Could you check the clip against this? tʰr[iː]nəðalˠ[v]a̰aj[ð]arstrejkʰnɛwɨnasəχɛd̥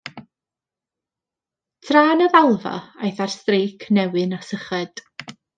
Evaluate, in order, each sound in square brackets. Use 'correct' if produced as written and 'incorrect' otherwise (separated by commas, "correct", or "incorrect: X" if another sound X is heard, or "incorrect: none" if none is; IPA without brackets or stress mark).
incorrect: aː, correct, incorrect: θ